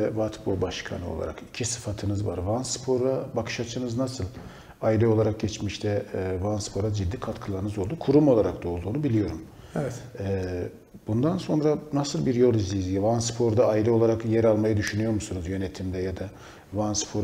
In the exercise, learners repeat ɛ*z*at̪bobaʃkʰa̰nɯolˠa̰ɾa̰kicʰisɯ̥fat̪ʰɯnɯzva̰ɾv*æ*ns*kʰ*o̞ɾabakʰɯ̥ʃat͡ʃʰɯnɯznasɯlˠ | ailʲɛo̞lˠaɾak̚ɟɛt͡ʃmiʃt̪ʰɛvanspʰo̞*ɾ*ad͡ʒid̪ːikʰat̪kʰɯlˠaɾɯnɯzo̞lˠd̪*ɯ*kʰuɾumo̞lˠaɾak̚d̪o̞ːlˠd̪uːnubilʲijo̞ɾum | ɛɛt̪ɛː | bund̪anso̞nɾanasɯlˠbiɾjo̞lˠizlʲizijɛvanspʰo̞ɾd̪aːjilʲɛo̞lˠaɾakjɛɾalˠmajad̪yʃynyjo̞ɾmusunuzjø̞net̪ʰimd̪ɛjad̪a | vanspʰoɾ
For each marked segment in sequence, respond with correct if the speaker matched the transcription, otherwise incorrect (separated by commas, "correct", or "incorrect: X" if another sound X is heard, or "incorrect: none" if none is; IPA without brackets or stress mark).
incorrect: v, incorrect: a, incorrect: pʰ, correct, incorrect: u